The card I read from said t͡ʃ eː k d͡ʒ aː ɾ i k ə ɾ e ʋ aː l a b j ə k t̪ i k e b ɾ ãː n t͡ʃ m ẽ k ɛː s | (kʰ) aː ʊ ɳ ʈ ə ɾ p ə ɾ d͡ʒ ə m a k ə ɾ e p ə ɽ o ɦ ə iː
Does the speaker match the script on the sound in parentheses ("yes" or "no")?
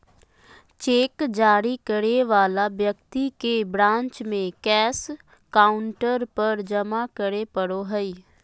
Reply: no